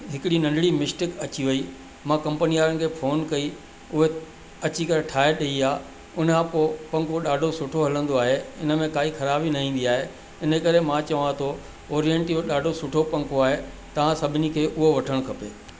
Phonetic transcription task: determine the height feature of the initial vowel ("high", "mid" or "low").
high